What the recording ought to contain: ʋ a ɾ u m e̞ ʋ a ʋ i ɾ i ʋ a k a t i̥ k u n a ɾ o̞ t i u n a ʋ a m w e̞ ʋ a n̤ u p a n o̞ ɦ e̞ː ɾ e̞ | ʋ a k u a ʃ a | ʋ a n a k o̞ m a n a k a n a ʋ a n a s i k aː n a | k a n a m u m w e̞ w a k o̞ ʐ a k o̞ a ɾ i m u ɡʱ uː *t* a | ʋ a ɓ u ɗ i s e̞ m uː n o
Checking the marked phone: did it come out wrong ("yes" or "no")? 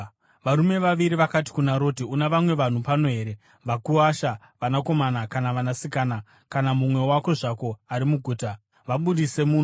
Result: no